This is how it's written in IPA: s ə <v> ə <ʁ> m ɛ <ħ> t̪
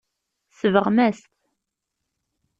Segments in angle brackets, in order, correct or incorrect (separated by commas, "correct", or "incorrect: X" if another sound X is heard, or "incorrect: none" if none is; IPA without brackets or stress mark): correct, correct, incorrect: s